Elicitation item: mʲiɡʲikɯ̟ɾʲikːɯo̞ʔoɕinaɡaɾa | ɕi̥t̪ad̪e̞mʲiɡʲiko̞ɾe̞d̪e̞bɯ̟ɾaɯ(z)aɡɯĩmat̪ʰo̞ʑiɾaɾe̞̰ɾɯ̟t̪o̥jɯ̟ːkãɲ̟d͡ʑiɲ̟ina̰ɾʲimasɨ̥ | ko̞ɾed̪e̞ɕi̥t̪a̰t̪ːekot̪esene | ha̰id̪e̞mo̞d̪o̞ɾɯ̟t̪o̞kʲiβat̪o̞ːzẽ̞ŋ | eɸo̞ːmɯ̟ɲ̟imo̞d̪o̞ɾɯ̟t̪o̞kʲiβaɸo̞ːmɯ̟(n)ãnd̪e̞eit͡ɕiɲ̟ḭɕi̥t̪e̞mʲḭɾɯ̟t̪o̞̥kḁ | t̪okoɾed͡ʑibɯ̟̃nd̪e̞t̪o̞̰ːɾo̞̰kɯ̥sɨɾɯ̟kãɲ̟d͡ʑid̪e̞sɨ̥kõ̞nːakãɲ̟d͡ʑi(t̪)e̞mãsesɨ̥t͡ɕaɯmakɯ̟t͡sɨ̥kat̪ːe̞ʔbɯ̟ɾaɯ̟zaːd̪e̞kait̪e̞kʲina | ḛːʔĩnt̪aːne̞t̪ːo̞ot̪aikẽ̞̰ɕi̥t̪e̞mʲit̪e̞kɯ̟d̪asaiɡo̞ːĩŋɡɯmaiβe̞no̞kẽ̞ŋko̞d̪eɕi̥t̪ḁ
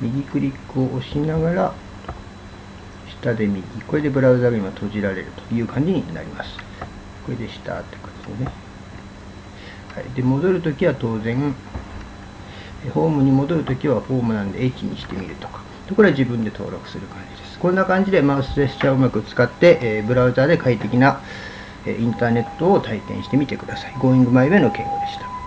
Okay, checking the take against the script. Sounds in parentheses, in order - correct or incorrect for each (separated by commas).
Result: correct, correct, incorrect